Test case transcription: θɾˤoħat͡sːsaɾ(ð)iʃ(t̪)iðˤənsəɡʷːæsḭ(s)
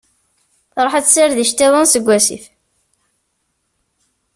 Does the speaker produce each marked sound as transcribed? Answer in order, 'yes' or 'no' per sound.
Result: yes, yes, no

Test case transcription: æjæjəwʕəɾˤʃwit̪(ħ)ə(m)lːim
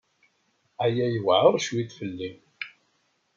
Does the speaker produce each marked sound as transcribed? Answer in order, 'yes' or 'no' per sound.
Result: no, no

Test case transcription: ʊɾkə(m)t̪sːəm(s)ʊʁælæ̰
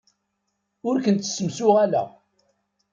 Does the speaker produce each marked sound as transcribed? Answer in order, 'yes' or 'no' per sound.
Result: no, yes

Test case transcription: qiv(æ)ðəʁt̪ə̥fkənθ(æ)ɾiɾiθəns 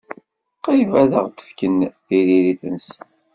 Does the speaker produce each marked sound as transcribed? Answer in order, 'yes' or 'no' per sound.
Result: yes, no

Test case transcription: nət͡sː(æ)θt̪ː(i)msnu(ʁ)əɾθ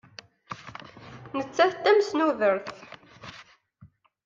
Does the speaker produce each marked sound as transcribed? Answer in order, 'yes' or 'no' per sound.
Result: yes, no, no

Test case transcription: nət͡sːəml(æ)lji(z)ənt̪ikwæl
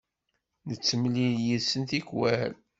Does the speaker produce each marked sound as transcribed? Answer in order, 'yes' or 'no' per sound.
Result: no, no

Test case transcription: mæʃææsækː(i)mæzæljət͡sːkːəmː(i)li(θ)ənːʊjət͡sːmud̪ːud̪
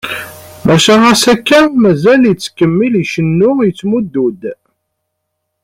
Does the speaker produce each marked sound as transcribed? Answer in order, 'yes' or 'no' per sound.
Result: no, yes, no

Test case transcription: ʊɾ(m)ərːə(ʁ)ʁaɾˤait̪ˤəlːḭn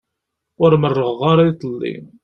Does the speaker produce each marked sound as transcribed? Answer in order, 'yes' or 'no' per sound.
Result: yes, yes

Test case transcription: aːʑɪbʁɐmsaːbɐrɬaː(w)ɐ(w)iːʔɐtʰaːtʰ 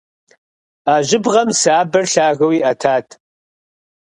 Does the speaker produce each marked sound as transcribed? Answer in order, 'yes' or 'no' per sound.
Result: no, yes

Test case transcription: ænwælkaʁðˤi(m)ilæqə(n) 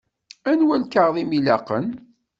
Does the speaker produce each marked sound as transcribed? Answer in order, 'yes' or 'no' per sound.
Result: yes, yes

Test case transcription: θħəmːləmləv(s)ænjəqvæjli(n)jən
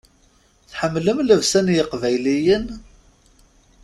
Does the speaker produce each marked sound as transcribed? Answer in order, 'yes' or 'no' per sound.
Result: yes, no

